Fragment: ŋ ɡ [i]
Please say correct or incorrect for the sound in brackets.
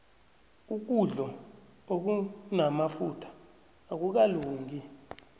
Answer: correct